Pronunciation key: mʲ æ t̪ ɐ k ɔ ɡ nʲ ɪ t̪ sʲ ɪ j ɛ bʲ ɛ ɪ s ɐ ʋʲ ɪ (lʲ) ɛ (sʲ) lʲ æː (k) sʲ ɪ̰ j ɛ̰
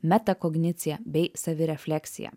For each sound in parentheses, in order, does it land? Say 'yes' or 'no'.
no, no, yes

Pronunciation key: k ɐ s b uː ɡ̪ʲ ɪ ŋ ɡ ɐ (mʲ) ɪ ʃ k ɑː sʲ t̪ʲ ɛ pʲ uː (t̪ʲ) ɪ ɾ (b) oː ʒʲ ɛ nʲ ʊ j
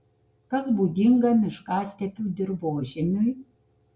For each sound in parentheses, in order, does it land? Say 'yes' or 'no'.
yes, no, yes

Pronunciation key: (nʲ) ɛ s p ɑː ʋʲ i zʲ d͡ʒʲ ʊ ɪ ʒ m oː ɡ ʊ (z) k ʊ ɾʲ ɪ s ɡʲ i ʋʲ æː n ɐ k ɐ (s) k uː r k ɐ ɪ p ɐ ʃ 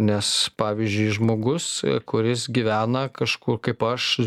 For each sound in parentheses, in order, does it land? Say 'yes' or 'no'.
yes, no, no

